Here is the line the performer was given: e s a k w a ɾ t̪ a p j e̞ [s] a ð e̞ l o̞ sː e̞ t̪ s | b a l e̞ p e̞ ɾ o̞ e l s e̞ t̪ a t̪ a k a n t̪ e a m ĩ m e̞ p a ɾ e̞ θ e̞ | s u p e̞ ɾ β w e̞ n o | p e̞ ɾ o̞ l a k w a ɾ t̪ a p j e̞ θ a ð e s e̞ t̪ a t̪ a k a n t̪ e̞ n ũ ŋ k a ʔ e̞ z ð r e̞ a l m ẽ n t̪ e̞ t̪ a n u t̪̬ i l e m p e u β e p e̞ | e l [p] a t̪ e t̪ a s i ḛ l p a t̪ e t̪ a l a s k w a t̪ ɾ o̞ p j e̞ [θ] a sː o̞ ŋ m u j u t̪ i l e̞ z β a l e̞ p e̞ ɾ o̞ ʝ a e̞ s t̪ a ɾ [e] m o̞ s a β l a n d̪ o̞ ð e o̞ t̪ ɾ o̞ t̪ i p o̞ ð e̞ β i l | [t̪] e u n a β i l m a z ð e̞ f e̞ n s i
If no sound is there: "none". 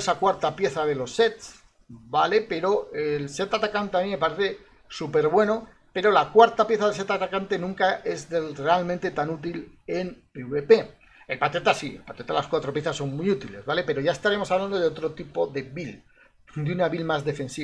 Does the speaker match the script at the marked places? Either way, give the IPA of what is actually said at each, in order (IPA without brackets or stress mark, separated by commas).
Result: θ, p, θ, e, d̪